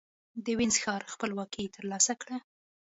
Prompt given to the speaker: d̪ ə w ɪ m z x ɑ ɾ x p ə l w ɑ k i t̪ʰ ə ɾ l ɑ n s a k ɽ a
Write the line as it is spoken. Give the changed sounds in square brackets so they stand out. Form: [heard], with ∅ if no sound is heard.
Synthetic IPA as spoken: d̪ ə w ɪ [n] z x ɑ ɾ x p ə l w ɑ k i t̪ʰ ə ɾ l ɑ [∅] s a k ɽ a